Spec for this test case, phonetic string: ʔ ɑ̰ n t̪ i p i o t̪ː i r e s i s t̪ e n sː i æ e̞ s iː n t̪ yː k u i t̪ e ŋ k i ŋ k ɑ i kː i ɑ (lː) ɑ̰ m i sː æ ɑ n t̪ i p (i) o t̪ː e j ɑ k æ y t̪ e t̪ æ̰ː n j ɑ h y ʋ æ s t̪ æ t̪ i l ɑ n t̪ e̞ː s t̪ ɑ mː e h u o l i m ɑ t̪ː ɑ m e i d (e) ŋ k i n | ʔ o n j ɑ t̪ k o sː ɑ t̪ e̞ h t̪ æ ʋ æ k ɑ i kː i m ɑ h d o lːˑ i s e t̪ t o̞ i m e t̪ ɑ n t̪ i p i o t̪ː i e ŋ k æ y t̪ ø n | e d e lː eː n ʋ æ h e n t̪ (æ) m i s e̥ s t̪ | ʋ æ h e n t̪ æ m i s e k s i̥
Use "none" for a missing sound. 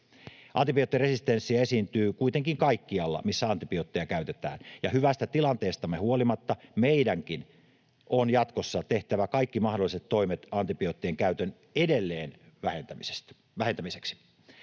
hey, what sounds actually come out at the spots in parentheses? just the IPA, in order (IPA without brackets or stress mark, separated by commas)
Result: lː, i, æ, æ